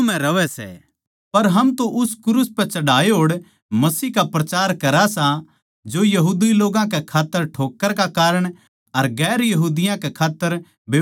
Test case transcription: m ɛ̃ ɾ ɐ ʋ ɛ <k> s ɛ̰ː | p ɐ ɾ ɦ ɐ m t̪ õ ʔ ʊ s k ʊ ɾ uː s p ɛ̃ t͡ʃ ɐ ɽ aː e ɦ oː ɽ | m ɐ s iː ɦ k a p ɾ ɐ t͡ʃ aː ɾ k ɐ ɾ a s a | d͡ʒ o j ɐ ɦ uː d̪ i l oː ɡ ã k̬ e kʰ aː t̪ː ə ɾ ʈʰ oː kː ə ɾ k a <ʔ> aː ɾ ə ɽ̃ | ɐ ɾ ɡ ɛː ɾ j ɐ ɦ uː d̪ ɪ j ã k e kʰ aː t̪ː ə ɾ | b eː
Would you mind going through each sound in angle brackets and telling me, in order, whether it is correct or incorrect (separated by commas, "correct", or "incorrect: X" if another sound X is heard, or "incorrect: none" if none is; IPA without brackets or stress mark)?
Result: incorrect: none, incorrect: k